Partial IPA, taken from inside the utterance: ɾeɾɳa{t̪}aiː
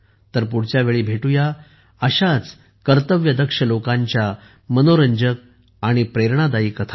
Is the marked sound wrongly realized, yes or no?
yes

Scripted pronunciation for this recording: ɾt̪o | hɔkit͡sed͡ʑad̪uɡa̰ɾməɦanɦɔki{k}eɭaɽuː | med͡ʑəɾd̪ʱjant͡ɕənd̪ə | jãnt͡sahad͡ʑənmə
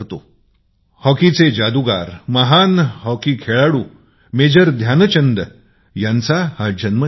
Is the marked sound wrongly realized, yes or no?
yes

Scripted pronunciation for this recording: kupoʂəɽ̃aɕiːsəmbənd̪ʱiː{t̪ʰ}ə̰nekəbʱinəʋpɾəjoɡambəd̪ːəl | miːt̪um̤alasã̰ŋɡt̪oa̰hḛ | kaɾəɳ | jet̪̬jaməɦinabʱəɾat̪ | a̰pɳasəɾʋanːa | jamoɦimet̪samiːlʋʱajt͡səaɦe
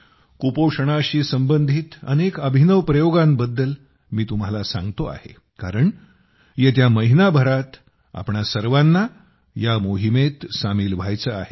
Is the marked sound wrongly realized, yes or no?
yes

